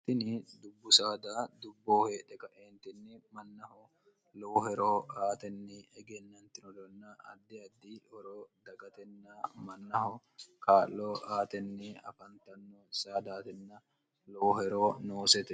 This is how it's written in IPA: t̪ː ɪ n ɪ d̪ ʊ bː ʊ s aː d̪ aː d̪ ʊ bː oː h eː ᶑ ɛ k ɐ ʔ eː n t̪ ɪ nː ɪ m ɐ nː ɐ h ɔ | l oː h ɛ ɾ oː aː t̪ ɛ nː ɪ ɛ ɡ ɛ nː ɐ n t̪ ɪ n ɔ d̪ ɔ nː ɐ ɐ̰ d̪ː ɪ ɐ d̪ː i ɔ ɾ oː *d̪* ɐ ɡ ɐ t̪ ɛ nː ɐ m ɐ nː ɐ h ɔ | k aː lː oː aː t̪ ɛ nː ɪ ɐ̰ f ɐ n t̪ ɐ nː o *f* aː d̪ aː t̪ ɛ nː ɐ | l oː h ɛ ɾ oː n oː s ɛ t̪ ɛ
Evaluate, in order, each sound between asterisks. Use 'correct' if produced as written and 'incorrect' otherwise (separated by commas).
correct, incorrect